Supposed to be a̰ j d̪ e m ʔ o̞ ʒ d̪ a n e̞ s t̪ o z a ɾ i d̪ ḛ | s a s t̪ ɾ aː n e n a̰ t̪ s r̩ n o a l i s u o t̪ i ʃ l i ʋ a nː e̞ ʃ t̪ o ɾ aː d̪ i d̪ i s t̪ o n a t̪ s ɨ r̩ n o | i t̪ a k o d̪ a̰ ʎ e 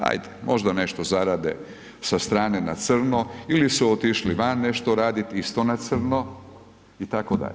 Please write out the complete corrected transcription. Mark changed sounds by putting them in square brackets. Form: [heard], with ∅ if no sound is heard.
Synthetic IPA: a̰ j d̪ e m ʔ o̞ ʒ d̪ a n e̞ [ʃ] t̪ o z a ɾ [a] d̪ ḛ | s a s t̪ ɾ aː n e n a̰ t̪ s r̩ n o [i] l i s u o t̪ i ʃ l i ʋ a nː e̞ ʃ t̪ o ɾ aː d̪ i [t̪] i s t̪ o n a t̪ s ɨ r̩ n o | i t̪ a k o d̪ a̰ ʎ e